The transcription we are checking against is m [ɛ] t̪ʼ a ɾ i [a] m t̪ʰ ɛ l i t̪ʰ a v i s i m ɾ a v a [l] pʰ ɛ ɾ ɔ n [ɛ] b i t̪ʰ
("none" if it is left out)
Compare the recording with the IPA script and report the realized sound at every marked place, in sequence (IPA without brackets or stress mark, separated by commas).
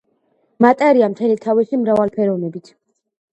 a, a, l, ɛ